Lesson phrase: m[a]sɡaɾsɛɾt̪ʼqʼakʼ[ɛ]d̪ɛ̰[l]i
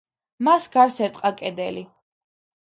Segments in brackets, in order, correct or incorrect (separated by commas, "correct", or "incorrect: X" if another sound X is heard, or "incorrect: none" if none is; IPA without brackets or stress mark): correct, correct, correct